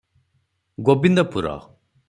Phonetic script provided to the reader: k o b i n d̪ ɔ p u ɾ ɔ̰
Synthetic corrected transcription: ɡ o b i n d̪ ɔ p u ɾ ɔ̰